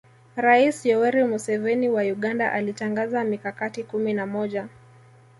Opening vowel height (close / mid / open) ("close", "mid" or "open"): open